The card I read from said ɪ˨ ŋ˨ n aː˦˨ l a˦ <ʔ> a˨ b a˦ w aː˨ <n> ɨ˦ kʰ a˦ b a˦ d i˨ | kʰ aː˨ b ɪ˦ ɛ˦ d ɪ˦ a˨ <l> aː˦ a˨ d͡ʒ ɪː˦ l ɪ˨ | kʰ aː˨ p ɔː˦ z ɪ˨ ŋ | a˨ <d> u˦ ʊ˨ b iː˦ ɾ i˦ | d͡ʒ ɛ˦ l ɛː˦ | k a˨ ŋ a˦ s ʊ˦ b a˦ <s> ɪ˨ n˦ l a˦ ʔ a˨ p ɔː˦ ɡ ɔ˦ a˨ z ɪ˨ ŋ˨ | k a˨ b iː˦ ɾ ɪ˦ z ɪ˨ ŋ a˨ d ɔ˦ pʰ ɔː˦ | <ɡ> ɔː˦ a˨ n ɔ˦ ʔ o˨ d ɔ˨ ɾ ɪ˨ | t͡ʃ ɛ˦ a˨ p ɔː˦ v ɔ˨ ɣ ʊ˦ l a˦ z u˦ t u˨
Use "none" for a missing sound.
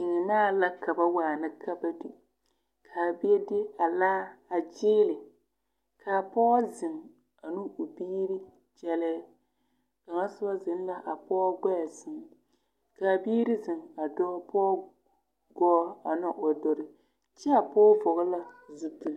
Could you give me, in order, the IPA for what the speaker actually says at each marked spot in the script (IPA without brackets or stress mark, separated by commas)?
k, n, l, n, z, ɡ